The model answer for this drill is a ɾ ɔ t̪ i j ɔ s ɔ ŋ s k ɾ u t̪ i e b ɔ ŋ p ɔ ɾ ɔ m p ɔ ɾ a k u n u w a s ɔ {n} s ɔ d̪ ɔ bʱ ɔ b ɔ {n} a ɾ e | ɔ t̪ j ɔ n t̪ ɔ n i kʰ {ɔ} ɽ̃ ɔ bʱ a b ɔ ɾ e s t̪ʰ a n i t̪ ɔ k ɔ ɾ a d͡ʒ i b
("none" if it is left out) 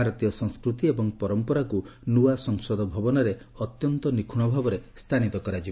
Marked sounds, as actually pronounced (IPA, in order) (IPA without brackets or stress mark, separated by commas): ŋ, n, u